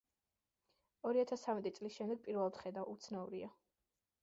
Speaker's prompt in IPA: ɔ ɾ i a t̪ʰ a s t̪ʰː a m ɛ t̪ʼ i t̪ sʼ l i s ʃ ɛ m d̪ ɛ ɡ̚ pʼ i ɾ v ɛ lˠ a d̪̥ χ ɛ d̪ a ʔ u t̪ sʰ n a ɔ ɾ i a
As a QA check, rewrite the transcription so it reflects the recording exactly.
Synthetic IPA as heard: ɔ ɾ i a t̪ʰ a s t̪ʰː a m ɛ t̪ʼ i t̪ sʼ l i s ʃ ɛ m d̪ ɛ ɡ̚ pʼ i ɾ v ɛ lˠ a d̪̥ χ ɛ d̪ a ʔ u t̪ sʰ n a u ɾ i a